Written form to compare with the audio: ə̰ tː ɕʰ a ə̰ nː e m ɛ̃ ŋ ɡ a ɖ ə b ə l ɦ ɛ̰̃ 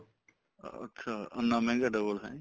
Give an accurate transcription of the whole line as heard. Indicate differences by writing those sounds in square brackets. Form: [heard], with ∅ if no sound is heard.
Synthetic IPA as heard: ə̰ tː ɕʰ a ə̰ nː [a] m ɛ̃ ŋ ɡ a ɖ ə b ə l ɦ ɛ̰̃